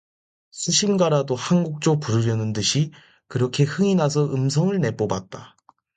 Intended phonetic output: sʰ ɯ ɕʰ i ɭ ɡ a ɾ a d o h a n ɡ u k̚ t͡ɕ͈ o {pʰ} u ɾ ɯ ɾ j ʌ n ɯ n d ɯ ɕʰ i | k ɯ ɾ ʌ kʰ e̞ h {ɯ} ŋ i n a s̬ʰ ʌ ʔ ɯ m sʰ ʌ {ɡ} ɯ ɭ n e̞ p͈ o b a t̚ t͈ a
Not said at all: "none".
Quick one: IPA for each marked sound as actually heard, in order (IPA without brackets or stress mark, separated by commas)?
p, ɯ, ŋ